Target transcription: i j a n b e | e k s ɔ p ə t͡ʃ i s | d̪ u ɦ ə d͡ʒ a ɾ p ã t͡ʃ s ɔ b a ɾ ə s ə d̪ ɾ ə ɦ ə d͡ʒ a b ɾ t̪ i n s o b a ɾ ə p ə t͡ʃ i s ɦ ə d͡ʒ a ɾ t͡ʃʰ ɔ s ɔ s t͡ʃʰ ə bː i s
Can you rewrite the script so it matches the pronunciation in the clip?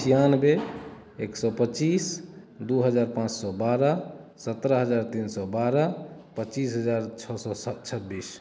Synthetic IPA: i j a n b e | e k s ɔ p ə t͡ʃ i s | d̪ u ɦ ə d͡ʒ a ɾ p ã t͡ʃ s ɔ b a ɾ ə s ə t̪ ɾ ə ɦ ə d͡ʒ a ɾ t̪ i n s ɔ b a ɾ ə p ə t͡ʃ i s ɦ ə d͡ʒ a ɾ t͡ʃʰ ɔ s ɔ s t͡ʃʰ ə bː i s